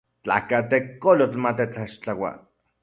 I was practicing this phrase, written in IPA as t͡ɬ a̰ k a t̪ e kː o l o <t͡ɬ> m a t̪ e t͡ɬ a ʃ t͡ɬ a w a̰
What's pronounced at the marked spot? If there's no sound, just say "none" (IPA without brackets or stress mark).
t͡ɬ